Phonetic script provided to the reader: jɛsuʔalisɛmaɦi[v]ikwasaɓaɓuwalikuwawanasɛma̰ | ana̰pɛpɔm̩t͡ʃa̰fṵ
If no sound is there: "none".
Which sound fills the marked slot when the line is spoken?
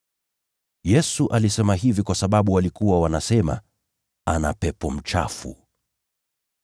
v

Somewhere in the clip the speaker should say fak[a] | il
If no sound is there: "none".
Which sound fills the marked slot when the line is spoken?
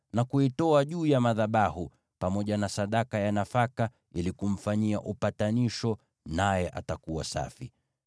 a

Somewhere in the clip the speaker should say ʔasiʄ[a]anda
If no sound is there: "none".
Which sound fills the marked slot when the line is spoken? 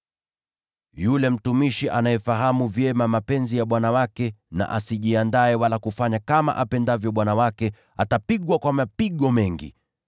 i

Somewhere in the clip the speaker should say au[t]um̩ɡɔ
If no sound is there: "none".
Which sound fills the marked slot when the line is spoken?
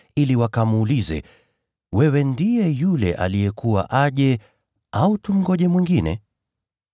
t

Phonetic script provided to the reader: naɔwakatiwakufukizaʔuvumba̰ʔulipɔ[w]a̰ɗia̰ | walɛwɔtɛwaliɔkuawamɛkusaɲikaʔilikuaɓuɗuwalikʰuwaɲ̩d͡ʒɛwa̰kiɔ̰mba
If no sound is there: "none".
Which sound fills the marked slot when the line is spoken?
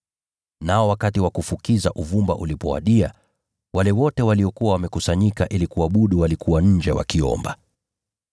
w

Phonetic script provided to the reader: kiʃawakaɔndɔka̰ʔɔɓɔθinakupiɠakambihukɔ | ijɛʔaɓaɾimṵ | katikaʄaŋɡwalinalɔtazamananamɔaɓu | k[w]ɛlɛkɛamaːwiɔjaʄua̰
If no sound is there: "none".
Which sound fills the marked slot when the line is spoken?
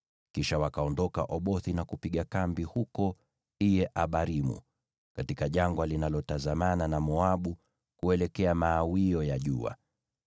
u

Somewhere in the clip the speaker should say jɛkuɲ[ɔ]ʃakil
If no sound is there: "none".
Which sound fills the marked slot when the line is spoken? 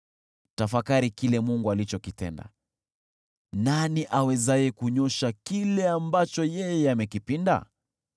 ɔ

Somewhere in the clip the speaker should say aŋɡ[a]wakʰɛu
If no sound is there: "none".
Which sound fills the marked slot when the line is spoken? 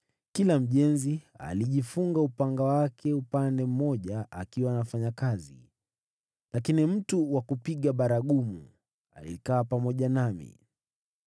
a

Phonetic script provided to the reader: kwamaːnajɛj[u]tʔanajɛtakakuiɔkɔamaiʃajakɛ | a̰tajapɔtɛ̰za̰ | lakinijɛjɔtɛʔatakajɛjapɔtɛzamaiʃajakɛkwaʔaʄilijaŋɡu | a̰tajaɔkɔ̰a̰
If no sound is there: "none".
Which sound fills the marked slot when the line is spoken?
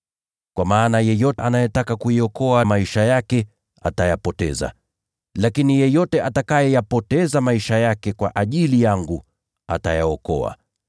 ɔ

